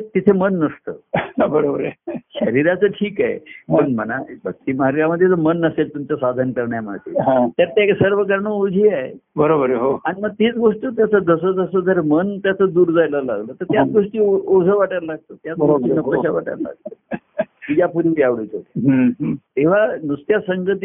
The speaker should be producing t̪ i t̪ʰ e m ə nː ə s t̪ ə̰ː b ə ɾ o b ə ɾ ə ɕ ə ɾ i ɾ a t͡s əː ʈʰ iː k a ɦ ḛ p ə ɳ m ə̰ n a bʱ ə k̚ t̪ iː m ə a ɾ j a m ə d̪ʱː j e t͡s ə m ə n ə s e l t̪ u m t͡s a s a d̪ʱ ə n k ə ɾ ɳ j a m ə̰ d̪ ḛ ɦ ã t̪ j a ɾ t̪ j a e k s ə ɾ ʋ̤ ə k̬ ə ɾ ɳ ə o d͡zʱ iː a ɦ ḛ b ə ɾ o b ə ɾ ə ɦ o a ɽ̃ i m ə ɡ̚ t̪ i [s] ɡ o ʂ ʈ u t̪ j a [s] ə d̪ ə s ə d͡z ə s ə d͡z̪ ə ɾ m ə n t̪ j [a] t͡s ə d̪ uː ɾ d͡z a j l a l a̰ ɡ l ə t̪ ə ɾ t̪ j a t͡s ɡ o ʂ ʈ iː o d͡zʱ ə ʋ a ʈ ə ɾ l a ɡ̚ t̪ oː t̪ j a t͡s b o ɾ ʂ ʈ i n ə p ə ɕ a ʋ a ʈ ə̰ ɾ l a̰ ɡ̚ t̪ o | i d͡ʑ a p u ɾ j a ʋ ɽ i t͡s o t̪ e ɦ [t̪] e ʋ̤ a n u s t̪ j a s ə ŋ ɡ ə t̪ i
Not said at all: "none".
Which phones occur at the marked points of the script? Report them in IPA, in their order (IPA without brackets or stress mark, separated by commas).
t͡s, t͡s, a, t̪